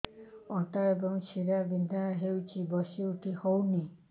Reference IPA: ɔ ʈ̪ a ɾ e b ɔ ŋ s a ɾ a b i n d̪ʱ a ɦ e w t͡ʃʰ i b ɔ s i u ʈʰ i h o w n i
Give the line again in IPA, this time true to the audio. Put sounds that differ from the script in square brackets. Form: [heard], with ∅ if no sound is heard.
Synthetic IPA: ɔ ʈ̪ a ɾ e b ɔ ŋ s [i] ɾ a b i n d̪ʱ a ɦ e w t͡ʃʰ i b ɔ s i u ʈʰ i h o w n i